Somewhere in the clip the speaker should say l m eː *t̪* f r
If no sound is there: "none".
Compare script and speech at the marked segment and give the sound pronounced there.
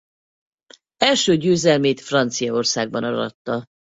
t̪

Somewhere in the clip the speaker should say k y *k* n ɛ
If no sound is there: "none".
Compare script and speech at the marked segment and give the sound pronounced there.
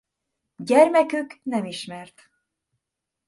k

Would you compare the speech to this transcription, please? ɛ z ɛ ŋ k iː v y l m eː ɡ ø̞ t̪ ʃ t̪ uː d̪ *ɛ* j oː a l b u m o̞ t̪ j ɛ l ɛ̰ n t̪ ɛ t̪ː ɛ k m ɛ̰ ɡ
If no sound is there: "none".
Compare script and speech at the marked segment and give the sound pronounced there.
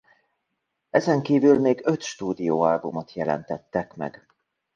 i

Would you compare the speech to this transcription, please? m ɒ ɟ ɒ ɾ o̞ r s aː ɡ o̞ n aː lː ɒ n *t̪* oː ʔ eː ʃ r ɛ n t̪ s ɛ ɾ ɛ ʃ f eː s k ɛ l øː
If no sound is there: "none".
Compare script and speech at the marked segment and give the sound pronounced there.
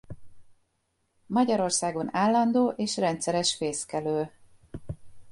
d̪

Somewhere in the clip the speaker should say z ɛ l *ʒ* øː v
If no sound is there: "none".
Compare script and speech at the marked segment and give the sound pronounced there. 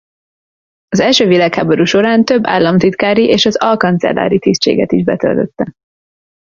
ʃ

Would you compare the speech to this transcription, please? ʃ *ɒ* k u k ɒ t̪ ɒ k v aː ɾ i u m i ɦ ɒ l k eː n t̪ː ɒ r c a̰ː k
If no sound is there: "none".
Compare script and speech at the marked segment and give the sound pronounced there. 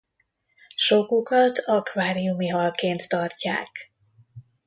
o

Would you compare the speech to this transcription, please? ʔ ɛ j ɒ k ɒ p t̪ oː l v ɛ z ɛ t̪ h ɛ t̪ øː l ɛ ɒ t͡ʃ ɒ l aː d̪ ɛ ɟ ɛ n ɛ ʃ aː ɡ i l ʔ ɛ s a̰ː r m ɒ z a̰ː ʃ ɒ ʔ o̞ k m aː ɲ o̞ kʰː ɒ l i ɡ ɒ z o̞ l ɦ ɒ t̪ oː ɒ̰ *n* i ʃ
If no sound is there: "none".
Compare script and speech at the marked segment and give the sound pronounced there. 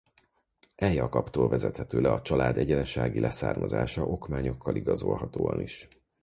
n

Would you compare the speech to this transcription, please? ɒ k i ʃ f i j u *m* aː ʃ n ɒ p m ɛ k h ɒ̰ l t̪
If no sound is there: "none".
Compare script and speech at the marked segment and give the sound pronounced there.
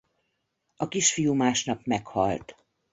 m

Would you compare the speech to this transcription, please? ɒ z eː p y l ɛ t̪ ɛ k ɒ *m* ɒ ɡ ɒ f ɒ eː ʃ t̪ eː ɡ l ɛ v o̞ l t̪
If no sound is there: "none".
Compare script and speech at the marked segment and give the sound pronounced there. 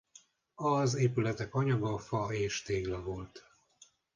ɲ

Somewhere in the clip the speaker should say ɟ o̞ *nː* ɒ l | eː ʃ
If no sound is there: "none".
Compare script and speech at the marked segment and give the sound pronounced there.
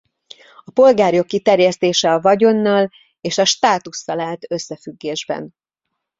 nː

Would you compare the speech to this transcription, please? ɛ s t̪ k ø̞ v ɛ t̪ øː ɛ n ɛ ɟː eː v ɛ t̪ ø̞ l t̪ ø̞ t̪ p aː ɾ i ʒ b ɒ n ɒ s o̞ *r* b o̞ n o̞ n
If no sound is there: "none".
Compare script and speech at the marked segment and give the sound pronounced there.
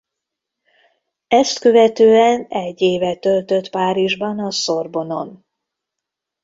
r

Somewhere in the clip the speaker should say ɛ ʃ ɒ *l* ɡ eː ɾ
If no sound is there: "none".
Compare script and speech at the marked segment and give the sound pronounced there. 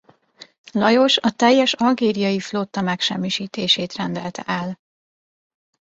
l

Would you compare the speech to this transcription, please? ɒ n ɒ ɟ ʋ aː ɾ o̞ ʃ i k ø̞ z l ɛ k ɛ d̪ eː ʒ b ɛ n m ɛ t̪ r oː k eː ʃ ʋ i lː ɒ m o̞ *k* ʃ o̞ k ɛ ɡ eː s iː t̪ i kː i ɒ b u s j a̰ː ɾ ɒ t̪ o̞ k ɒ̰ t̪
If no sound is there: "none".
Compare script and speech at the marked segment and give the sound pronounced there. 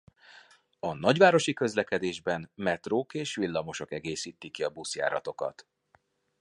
none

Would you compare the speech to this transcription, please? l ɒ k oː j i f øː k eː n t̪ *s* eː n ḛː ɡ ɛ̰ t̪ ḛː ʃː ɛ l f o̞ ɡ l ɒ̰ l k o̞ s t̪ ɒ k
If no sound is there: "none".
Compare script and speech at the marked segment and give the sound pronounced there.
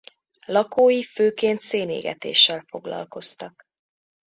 s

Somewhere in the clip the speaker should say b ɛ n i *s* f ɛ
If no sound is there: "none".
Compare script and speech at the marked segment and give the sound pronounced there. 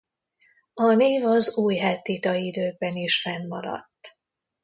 ʃ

